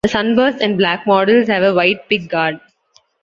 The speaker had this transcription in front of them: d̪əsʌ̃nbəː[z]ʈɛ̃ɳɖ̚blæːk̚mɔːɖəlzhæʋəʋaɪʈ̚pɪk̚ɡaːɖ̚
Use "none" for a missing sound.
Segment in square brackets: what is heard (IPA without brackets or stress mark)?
s